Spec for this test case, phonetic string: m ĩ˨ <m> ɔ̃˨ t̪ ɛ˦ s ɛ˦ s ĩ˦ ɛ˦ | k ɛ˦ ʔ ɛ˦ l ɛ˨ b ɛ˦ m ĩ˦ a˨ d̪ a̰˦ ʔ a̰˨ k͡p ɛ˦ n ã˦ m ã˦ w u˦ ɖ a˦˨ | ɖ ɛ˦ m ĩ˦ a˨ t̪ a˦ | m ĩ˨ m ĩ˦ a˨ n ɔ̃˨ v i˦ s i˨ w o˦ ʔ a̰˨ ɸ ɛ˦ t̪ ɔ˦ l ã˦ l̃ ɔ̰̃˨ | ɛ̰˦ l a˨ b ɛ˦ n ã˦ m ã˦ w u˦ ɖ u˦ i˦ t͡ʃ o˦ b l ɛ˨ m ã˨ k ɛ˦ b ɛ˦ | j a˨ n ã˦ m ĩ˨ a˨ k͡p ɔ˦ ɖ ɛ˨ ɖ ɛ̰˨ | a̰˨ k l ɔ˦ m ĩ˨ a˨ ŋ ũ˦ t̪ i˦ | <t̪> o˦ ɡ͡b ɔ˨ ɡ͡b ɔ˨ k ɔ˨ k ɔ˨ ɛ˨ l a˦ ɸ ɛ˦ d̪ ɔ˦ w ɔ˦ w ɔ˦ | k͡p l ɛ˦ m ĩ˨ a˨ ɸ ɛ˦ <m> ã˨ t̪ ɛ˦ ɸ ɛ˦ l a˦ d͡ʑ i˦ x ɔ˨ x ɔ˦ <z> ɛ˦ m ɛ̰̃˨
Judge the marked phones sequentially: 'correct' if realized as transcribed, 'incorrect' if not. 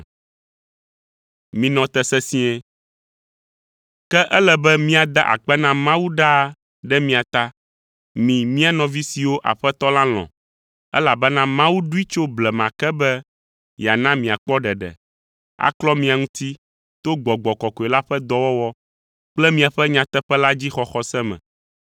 incorrect, correct, incorrect, incorrect

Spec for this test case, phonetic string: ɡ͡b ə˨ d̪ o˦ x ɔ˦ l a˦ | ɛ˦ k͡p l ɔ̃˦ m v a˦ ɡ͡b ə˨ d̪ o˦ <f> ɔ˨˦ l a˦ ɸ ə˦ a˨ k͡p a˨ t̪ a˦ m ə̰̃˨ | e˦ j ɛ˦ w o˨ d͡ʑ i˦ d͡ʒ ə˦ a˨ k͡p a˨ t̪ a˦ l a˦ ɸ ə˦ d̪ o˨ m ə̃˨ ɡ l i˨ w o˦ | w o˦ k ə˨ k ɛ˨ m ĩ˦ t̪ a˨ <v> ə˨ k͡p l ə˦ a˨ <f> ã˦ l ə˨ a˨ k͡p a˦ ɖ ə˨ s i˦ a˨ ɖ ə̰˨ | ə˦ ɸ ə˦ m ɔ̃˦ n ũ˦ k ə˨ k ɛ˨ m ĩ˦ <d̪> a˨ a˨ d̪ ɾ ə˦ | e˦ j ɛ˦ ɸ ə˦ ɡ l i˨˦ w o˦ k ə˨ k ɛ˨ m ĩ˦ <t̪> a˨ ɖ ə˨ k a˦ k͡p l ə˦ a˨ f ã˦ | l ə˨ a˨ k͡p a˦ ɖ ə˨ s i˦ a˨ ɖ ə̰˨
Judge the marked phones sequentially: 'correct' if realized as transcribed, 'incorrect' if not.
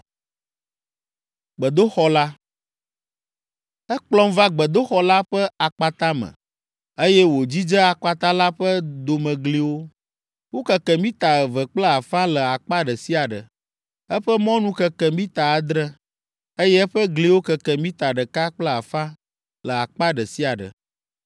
incorrect, correct, correct, incorrect, correct

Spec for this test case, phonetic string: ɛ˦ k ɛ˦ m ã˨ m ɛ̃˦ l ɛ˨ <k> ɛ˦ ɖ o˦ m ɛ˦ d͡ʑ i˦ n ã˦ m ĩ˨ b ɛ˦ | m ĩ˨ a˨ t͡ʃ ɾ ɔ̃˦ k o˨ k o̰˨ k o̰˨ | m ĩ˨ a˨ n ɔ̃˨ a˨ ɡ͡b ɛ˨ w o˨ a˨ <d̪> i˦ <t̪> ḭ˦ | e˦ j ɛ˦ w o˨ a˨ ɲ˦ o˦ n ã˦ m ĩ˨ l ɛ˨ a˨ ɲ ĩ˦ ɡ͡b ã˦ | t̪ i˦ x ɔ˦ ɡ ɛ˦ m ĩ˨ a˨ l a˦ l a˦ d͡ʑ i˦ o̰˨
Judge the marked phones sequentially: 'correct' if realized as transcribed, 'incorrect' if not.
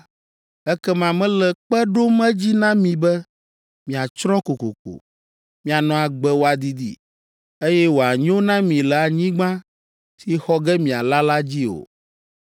incorrect, correct, incorrect

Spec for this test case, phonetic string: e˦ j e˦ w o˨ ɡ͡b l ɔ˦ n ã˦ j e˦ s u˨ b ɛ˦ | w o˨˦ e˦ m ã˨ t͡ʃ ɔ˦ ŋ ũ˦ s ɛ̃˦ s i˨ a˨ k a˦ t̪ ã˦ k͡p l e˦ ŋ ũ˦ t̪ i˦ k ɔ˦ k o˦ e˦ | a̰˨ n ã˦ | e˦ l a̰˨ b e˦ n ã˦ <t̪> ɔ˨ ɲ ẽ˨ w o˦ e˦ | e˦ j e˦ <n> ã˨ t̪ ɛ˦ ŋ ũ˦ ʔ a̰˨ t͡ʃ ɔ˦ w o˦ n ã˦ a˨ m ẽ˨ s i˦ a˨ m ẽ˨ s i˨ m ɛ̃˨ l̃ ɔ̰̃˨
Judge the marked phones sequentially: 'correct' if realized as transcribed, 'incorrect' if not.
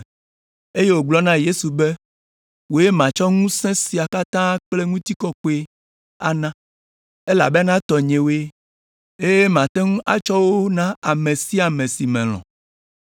correct, incorrect

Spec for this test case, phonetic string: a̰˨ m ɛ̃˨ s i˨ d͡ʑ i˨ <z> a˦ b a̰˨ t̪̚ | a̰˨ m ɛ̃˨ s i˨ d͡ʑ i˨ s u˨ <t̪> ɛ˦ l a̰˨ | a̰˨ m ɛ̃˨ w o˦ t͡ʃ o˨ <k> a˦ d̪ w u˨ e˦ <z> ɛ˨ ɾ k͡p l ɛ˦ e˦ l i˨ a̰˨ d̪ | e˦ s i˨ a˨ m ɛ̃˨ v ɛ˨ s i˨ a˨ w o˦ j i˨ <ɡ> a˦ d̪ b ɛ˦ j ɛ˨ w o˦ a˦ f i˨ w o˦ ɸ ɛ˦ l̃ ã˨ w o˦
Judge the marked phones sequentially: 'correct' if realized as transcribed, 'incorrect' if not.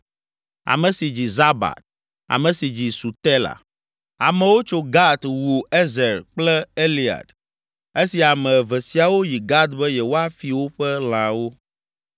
correct, correct, incorrect, correct, correct

